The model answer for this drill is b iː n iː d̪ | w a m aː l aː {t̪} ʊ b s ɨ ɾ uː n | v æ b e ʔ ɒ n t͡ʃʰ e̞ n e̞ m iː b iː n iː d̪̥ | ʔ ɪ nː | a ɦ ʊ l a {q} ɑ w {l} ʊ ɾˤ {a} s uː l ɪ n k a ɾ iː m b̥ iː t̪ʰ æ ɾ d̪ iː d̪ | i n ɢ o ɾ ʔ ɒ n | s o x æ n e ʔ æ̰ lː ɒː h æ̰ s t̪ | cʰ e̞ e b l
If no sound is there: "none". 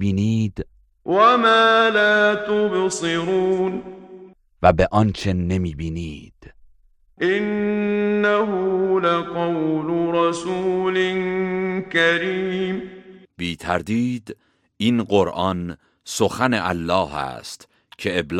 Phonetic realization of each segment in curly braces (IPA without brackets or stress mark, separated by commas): t̪, q, l, ɑ